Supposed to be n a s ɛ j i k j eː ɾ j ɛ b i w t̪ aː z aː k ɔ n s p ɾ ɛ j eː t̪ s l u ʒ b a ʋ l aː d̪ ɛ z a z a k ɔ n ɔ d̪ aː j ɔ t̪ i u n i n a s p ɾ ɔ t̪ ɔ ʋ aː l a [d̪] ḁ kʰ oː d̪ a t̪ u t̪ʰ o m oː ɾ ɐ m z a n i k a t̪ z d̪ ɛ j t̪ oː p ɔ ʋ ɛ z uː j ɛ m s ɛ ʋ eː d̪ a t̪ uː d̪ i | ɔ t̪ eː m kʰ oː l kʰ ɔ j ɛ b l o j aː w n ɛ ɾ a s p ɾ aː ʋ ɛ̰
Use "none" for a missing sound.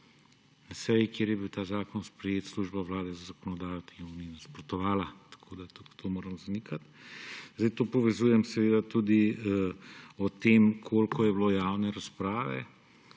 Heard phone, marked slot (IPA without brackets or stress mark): t̪